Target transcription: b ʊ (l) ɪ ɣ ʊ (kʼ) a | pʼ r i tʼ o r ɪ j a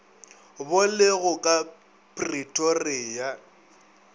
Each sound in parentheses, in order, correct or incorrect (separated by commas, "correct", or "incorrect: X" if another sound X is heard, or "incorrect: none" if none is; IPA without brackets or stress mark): correct, correct